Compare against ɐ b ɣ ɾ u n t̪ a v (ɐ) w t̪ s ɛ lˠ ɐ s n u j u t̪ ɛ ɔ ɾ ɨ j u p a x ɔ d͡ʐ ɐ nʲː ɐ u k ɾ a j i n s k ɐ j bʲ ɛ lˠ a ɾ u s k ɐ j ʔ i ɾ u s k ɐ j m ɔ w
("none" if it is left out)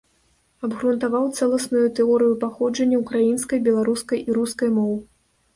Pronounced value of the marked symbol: a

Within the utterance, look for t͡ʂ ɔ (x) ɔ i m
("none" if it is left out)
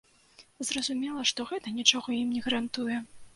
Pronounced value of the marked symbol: ɣ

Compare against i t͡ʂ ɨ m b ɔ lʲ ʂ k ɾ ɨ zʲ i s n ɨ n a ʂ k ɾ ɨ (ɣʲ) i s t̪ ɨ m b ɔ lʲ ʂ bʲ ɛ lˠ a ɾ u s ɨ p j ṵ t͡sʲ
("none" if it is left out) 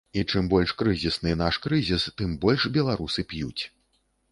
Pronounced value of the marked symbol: zʲ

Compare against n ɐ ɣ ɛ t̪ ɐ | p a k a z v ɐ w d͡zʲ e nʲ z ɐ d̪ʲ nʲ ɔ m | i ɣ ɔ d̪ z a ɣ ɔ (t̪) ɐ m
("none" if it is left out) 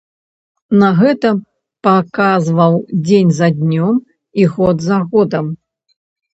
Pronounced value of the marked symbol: d̪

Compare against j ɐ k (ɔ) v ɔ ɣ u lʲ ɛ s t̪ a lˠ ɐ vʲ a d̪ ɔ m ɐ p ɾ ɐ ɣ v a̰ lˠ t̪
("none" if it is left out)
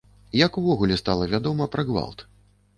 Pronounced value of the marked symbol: u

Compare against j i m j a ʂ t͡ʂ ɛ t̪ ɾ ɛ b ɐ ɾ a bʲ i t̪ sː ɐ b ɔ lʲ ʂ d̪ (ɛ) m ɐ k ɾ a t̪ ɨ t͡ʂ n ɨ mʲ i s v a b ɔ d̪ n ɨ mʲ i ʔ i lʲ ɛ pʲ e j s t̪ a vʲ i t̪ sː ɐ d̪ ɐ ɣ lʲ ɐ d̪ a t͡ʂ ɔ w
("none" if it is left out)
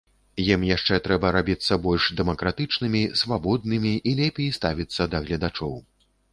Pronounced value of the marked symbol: ɛ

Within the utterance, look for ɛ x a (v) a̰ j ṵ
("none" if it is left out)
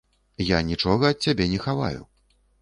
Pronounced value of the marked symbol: v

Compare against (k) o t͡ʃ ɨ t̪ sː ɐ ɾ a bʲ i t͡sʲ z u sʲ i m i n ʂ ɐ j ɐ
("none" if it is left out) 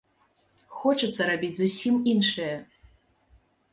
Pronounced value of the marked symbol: x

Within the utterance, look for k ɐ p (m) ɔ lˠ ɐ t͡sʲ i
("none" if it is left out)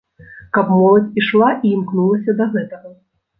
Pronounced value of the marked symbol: m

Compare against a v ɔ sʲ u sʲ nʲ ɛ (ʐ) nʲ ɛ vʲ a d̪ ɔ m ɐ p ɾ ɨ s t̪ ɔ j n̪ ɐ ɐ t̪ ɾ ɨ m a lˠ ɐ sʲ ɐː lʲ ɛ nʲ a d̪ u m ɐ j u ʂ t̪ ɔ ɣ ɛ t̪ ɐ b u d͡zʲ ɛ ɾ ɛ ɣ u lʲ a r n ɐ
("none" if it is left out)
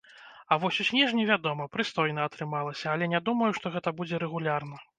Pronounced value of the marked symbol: ʐ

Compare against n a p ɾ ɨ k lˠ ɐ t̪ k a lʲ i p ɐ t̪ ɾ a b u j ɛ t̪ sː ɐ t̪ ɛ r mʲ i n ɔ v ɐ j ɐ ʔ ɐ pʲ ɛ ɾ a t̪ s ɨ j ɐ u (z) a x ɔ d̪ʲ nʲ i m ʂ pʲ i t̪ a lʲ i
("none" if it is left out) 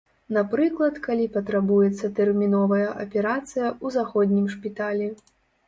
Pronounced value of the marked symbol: z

